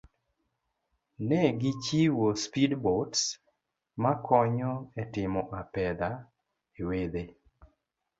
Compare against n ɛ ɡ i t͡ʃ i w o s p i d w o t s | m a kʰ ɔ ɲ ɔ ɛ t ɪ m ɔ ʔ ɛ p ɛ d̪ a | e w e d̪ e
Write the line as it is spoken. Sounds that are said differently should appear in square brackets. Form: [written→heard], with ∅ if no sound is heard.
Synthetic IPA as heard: n ɛ ɡ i t͡ʃ i w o s p i d [w→b] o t s | m a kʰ ɔ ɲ ɔ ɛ t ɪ m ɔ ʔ [ɛ→a] p ɛ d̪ a | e w e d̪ e

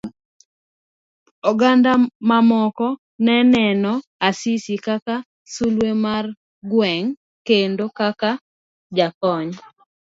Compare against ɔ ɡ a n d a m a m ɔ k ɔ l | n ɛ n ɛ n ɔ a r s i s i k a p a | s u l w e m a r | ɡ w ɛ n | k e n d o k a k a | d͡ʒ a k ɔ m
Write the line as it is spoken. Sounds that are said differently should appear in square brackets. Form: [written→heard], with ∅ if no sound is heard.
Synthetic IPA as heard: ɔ ɡ a n d a m a m ɔ k ɔ [l→∅] | n ɛ n ɛ n ɔ a [r→∅] s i s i k a [p→k] a | s u l w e m a r | ɡ w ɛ [n→ŋ] | k e n d o k a k a | d͡ʒ a k ɔ [m→ɲ]

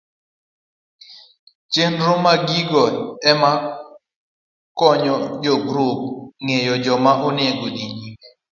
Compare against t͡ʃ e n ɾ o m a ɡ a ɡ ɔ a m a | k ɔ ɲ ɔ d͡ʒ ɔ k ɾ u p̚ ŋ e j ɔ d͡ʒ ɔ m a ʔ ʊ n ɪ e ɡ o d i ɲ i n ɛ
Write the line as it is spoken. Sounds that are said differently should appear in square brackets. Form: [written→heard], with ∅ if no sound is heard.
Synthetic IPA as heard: t͡ʃ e n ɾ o m a ɡ [a→i] ɡ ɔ [a→ɛ] m a | k ɔ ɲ ɔ d͡ʒ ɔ [k→ɡ] ɾ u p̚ ŋ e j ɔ d͡ʒ ɔ m a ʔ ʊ n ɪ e ɡ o d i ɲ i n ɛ

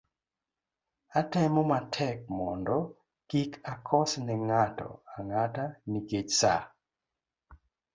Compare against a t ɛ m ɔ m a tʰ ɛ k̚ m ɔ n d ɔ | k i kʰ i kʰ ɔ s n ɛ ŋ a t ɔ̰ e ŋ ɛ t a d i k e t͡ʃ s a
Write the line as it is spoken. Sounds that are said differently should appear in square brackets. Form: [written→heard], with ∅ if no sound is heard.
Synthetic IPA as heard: a t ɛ m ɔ m a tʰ ɛ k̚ m ɔ n d ɔ | k i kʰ [i→a] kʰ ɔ s n ɛ ŋ a t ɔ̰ [e→a] ŋ [ɛ→a] t a [d→n] i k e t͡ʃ s a

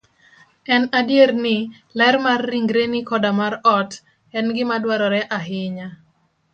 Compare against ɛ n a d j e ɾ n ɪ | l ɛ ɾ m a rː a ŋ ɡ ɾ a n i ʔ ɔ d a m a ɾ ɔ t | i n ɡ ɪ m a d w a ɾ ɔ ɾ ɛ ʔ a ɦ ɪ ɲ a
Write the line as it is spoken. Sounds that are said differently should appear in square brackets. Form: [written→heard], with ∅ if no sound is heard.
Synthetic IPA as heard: ɛ n a d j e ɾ n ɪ | l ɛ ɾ m a rː [a→i] ŋ ɡ ɾ [a→e] n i [ʔ→k] ɔ d a m a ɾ ɔ t | [i→ɛ] n ɡ ɪ m a d w a ɾ ɔ ɾ ɛ ʔ a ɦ ɪ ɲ a

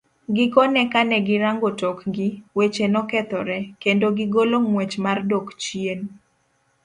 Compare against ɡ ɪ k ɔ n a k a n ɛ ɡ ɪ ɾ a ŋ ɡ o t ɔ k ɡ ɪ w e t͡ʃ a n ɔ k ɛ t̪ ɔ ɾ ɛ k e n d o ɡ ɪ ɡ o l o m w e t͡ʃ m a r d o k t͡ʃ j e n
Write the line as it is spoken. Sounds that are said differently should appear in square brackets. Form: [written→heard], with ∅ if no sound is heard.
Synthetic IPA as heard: ɡ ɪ k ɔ n [a→ɛ] k a n ɛ ɡ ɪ ɾ a ŋ ɡ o t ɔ k ɡ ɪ w e t͡ʃ [a→e] n ɔ k ɛ t̪ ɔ ɾ ɛ k e n d o ɡ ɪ ɡ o l o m w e t͡ʃ m a r d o k t͡ʃ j e n

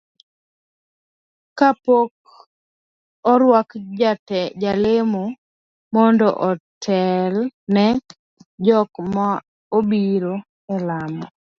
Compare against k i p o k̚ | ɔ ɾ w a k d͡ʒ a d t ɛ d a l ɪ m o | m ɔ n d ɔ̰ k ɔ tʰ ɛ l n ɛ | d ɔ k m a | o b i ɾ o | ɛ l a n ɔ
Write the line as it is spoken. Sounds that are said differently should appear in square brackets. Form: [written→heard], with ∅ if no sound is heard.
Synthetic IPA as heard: k [i→a] p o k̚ | ɔ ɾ w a k d͡ʒ a [d→∅] t ɛ [d→d͡ʒ] a l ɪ m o | m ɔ n d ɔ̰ [k→ʔ] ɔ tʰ ɛ l n ɛ | [d→d͡ʒ] ɔ k m a | o b i ɾ o | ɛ l a [n→m] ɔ

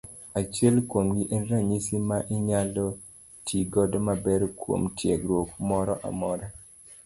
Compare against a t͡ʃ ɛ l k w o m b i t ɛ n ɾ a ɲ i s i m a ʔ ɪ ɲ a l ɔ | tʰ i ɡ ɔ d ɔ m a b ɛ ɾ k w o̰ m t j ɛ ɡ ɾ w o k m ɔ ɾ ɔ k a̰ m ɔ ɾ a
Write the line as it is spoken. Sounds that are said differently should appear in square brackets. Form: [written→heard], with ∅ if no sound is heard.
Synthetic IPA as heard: a t͡ʃ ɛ l k w o m [b→ɡ] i [t→ʔ] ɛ n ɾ a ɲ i s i m a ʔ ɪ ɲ a l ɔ | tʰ i ɡ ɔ d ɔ m a b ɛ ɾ k w o̰ m t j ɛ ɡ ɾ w o k m ɔ ɾ ɔ [k→ʔ] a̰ m ɔ ɾ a

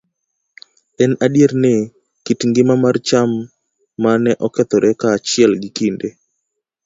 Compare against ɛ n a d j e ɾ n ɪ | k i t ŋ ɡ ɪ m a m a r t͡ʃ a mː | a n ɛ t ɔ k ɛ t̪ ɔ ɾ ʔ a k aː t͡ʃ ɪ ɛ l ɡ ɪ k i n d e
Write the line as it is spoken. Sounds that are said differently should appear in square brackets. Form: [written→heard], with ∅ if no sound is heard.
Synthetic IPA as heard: ɛ n a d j e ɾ n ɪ | k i t ŋ ɡ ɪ m a m a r t͡ʃ a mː | a n ɛ [t→ʔ] ɔ k ɛ t̪ ɔ ɾ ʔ [a→ɛ] k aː t͡ʃ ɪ ɛ l ɡ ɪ k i n d e

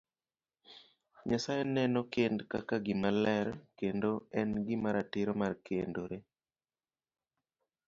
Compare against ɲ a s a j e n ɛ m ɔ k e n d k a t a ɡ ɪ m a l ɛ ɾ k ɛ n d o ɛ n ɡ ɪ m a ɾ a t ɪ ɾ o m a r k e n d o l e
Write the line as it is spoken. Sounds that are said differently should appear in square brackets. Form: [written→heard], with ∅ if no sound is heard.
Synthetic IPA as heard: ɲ a s a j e n ɛ [m→n] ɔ k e n d k a [t→k] a ɡ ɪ m a l ɛ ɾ k [ɛ→e] n d o ɛ n ɡ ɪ m a ɾ a t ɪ ɾ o m a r k e n d o [l→ɾ] e

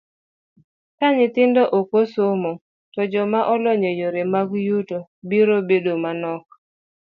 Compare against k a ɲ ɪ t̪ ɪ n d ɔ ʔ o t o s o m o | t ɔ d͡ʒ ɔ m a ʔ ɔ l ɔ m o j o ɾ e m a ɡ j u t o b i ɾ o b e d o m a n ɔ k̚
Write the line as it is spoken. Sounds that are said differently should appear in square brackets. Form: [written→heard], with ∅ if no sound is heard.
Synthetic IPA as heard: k a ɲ ɪ t̪ ɪ n d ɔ ʔ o [t→k] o s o m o | t ɔ d͡ʒ ɔ m a ʔ ɔ l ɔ [m→ɲ] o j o ɾ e m a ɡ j u t o b i ɾ o b e d o m a n ɔ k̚

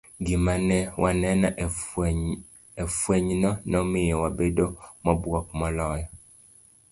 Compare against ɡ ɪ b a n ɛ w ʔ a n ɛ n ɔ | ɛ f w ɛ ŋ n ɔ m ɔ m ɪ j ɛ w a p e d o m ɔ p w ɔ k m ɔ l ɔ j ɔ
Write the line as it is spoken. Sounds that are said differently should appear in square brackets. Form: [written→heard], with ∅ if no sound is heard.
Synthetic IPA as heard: ɡ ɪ [b→m] a n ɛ w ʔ a n ɛ n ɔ | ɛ f w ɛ [ŋ→ɲ] n ɔ [m→n] ɔ m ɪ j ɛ w a [p→b] e d o m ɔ [p→b] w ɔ k m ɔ l ɔ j ɔ

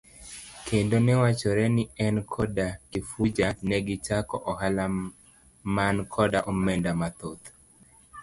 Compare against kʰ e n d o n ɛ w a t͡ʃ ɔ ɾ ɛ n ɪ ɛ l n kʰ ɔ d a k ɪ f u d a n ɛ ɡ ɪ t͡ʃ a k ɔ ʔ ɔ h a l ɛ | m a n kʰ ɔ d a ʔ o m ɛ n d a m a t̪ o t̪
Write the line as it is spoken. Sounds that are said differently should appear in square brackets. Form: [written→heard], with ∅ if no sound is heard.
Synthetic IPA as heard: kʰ e n d o n ɛ w a t͡ʃ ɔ ɾ ɛ n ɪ ɛ [l→∅] n kʰ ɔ d a k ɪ f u [d→d͡ʒ] a n ɛ ɡ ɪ t͡ʃ a k ɔ ʔ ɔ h a l [ɛ→a] | m a n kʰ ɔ d a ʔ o m ɛ n d a m a t̪ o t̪

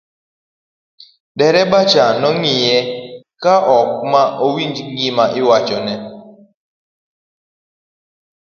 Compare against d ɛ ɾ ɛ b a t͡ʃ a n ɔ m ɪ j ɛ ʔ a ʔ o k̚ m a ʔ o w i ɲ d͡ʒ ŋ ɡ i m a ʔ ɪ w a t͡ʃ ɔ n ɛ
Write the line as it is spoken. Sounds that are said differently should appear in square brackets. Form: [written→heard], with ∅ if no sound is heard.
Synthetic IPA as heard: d ɛ ɾ ɛ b a t͡ʃ a n ɔ [m→ŋ] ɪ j ɛ [ʔ→k] a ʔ [o→ɔ] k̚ m a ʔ o w i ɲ d͡ʒ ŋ ɡ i m a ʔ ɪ w a t͡ʃ ɔ n ɛ

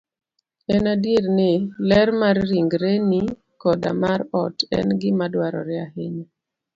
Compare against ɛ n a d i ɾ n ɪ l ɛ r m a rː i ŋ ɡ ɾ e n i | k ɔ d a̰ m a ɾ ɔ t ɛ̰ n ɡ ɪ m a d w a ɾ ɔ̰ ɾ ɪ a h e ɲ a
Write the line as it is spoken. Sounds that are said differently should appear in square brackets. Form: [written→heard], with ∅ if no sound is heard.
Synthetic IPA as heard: ɛ n a d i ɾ n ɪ l ɛ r m a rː i ŋ ɡ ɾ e n i | k ɔ d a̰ m a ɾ ɔ t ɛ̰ n ɡ ɪ m a d w a ɾ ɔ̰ ɾ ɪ a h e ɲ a

